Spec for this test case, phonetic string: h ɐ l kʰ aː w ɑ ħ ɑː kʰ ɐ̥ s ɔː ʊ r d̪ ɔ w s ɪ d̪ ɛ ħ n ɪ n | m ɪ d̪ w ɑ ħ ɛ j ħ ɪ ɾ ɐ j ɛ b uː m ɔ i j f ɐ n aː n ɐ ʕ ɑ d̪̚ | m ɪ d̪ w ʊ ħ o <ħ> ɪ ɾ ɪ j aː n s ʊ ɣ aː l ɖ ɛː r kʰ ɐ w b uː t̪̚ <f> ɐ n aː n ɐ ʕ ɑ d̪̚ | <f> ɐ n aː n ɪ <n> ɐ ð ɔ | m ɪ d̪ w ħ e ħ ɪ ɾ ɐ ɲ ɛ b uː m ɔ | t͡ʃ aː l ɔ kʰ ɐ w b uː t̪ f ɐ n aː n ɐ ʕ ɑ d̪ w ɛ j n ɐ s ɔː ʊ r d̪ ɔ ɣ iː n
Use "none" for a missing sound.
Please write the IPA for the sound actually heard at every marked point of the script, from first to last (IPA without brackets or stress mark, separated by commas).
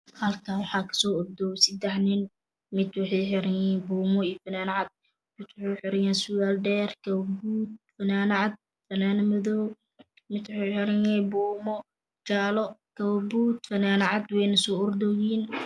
ħ, f, f, m